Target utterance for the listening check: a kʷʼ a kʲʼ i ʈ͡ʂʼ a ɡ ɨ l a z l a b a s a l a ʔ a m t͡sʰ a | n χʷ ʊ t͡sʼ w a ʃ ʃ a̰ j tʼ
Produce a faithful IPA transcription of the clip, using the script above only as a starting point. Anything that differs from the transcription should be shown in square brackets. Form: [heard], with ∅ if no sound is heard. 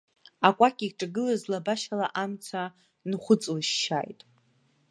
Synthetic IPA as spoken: a kʷʼ a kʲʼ i ʈ͡ʂʼ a ɡ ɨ l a z l a b a [ʃ] a l a ʔ a m t͡sʰ a | n χʷ ʊ t͡sʼ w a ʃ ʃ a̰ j tʼ